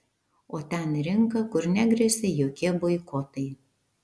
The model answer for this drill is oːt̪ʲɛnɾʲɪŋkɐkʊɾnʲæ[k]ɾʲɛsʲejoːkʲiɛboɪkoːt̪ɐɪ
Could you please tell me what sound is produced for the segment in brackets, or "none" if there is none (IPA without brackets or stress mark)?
ɡ